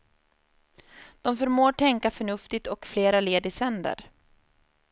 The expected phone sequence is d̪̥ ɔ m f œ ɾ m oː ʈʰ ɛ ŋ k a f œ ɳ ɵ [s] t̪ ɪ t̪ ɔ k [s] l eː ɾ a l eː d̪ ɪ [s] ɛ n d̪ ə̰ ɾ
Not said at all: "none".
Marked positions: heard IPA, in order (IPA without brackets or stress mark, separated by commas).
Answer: f, f, s